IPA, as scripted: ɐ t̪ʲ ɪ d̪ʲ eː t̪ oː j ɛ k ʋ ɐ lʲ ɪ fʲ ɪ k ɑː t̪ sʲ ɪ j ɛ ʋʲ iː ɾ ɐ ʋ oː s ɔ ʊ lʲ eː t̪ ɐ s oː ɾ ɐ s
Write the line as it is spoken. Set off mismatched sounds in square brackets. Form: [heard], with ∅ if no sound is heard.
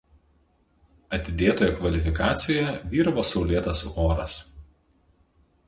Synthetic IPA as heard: ɐ t̪ʲ ɪ d̪ʲ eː t̪ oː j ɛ k ʋ ɐ lʲ ɪ fʲ ɪ k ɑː t̪ sʲ ɪ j ɛ ʋʲ iː ɾ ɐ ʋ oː s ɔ ʊ lʲ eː t̪ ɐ s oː ɾ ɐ s